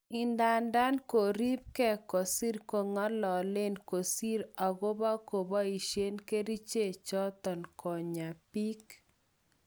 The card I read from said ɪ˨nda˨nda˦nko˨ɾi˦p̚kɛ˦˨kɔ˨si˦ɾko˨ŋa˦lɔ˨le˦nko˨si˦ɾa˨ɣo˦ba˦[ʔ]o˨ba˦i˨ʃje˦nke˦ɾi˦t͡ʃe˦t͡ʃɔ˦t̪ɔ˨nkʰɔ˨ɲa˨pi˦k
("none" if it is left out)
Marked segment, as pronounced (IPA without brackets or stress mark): k